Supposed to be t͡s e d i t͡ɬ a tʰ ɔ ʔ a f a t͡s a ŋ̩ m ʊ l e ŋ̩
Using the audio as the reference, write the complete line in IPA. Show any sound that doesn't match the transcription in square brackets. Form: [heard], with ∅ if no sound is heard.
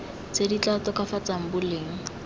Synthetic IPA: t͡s e d i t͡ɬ a [t] ɔ [k] a f a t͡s a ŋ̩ [b] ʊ l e ŋ̩